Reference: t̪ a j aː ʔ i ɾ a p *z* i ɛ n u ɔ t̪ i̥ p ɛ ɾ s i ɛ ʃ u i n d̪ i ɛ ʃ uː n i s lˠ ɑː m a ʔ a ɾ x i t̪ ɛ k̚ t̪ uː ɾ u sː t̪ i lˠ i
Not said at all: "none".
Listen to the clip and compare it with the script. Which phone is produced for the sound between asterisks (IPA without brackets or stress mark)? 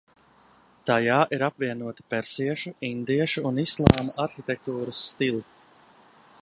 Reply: v